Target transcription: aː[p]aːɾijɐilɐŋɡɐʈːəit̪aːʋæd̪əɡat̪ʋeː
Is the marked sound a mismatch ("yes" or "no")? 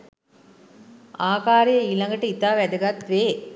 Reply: yes